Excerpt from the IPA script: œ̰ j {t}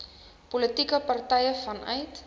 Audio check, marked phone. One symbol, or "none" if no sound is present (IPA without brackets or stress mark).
t